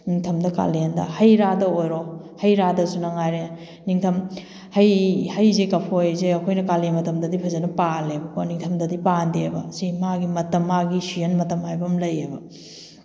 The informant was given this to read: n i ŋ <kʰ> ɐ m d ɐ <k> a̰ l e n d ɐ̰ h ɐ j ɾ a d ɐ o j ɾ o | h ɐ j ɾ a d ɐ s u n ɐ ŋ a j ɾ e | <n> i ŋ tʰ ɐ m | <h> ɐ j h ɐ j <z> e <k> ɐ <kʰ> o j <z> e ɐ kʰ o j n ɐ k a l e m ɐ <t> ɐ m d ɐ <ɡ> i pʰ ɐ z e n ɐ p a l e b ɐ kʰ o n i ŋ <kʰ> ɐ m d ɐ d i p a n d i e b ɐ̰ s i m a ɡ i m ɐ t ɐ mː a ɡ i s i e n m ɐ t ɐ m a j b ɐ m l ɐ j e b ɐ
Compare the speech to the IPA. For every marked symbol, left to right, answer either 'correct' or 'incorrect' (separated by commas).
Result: incorrect, correct, correct, correct, correct, correct, incorrect, correct, correct, incorrect, incorrect